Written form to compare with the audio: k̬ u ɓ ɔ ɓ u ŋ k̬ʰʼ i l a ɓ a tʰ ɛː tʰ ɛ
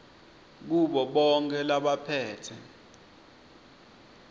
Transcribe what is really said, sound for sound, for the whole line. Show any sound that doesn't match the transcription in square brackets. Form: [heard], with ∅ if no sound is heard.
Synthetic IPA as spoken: k̬ u ɓ ɔ ɓ [ɔ] ŋ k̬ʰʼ [ɛ] l a ɓ a [pʰ] ɛː tʰ ɛ